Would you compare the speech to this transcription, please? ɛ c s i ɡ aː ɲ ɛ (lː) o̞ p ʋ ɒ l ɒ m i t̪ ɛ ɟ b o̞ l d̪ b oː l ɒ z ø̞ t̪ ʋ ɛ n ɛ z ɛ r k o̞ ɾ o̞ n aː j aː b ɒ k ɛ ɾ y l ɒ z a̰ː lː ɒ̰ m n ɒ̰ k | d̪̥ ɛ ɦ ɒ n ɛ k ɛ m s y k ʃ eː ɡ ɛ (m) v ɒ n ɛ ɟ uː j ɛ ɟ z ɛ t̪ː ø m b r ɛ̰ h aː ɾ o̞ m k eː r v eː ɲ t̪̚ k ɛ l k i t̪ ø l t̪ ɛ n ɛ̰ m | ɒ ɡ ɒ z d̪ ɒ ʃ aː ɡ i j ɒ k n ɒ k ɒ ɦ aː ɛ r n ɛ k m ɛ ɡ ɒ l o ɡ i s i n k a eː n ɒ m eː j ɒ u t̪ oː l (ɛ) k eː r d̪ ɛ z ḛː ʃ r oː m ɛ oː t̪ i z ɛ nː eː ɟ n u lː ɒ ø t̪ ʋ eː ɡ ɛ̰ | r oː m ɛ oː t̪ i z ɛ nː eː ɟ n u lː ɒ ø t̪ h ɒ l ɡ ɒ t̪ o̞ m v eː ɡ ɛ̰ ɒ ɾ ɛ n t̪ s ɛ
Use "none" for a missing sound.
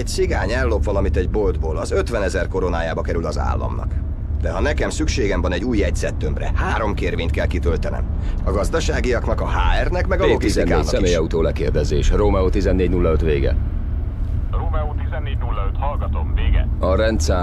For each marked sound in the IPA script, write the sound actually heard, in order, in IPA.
lː, m, ɛ

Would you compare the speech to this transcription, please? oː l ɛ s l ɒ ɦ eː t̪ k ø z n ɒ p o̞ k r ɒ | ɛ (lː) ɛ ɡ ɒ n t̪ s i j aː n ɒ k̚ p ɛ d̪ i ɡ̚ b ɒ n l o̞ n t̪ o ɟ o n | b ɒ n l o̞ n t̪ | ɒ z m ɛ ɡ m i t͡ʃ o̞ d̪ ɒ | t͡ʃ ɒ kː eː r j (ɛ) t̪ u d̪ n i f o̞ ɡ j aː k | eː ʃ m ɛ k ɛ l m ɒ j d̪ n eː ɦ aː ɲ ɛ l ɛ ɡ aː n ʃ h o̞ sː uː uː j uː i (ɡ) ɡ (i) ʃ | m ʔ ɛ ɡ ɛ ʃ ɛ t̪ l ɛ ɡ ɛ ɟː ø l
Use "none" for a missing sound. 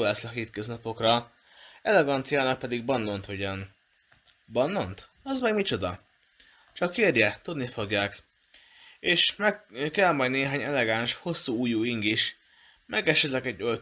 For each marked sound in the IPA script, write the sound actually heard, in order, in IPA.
l, ɛ, ŋ, i

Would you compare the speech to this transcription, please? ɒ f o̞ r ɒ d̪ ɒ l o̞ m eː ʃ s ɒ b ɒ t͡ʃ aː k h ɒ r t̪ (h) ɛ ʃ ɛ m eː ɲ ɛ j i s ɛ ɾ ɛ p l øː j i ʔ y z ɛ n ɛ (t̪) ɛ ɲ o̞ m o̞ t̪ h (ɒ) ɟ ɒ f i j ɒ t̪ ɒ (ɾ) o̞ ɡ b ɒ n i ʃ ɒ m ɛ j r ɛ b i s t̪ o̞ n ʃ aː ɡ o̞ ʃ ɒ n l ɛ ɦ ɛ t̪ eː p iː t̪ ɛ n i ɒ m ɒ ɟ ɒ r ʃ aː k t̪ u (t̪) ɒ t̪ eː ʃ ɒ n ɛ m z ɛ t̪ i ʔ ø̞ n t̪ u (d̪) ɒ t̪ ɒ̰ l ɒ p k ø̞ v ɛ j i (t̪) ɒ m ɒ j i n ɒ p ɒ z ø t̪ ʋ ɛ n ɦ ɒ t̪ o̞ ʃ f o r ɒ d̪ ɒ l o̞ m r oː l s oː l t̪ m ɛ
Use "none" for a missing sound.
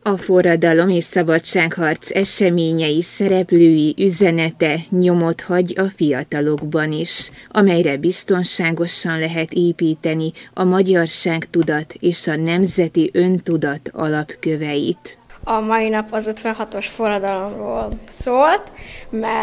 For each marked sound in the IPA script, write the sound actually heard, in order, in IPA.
s, t̪, ɒ, l, d̪, d̪, t̪

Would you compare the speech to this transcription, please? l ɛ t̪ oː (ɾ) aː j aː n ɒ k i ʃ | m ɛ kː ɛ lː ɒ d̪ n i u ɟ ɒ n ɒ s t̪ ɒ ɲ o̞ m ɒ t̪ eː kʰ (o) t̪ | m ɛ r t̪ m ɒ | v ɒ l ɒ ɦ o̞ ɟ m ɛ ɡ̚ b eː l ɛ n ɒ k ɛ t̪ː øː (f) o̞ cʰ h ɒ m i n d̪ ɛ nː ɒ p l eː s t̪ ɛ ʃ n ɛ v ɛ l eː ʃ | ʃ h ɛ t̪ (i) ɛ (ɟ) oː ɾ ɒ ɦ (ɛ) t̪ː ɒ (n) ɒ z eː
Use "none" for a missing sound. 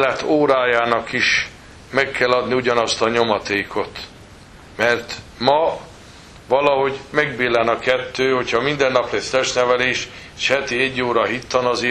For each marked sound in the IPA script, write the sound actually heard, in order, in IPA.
ɾ, o, h, i, ɟː, i, n

